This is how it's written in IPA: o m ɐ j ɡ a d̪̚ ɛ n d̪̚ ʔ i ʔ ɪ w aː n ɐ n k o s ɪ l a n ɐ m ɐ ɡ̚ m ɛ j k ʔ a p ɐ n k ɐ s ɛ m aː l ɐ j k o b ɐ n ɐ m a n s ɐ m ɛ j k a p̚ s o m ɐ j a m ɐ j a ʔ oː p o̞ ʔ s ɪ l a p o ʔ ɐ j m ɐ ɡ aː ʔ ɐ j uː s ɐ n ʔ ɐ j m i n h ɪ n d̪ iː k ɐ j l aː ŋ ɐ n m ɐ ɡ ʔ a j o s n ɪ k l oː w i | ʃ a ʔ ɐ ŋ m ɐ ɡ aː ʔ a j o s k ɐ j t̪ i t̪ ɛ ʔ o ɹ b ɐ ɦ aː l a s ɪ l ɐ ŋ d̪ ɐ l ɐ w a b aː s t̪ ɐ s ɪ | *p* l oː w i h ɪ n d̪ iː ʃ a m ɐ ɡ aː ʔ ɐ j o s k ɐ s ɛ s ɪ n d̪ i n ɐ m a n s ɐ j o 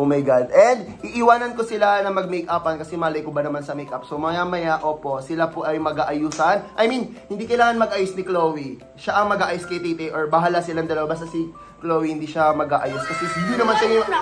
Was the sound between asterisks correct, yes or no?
no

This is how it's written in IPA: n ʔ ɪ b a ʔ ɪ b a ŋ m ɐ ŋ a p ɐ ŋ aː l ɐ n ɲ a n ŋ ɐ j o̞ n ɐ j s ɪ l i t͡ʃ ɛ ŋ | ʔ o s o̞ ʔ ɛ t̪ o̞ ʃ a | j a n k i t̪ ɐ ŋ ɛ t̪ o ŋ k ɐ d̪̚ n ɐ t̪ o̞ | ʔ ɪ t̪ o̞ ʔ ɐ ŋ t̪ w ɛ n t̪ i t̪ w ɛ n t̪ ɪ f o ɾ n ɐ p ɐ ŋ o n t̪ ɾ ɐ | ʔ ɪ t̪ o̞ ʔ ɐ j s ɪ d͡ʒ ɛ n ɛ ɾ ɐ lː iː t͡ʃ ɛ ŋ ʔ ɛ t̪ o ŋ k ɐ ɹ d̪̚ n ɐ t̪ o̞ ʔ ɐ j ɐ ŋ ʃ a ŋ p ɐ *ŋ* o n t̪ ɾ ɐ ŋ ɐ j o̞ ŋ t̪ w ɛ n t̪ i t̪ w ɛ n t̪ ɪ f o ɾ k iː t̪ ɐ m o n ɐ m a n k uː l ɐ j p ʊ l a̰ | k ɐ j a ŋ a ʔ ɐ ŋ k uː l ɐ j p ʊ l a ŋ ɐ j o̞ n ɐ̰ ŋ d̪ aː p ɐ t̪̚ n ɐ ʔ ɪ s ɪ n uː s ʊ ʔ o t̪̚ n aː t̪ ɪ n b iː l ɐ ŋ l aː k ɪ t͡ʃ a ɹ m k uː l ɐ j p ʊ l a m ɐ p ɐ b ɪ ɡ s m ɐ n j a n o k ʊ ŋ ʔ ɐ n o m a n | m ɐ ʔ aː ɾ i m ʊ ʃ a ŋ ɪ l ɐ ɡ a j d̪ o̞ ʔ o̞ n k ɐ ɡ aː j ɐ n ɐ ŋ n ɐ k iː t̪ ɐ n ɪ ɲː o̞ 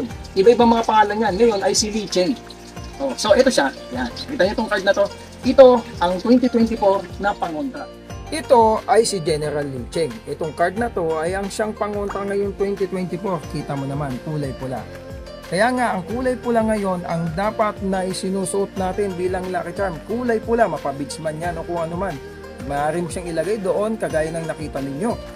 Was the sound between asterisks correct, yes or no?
yes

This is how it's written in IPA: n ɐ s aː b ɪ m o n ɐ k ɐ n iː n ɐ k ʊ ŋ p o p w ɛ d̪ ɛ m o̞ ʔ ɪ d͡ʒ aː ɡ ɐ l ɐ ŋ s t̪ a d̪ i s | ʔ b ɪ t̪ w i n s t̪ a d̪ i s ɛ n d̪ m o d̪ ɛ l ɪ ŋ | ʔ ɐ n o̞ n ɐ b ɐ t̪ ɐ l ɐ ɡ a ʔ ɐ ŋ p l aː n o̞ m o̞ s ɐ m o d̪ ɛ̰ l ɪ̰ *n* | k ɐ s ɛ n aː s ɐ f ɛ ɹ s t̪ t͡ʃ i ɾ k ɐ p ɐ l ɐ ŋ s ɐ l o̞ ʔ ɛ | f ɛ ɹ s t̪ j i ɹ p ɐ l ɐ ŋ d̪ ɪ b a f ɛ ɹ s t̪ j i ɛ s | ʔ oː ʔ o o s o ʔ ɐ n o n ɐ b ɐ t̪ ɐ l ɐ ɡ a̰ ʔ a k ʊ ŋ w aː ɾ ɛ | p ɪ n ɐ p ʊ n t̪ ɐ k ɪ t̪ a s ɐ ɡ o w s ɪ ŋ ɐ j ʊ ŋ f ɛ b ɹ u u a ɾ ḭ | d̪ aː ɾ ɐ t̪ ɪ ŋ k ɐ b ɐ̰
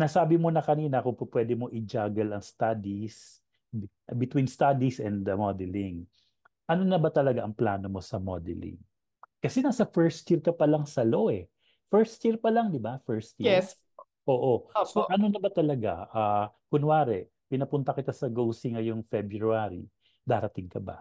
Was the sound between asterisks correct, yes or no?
no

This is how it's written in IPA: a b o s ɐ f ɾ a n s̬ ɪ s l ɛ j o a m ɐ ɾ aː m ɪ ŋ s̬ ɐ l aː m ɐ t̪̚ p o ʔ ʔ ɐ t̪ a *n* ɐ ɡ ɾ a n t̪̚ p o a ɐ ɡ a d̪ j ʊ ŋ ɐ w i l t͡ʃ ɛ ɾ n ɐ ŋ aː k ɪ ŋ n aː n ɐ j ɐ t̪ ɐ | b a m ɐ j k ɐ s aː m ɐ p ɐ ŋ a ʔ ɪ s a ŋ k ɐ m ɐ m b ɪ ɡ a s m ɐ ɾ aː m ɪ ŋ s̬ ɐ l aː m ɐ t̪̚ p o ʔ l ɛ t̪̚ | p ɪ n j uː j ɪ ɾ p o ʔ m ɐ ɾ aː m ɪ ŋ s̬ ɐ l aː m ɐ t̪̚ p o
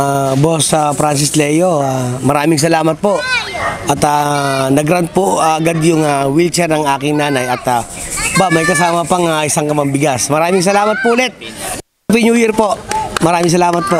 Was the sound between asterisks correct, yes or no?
yes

